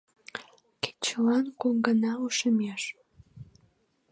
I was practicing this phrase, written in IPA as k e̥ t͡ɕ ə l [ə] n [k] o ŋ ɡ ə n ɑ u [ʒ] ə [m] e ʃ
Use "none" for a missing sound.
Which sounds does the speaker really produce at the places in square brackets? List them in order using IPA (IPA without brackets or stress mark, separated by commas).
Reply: ɑ, k, ʃ, m